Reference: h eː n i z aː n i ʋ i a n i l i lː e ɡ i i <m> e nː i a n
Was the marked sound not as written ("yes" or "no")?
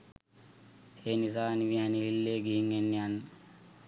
yes